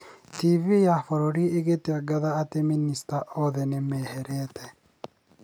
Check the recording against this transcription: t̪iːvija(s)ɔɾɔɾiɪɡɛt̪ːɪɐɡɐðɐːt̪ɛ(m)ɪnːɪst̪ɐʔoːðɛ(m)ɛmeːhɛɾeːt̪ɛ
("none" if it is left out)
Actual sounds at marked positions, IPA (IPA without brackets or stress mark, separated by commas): f, m, n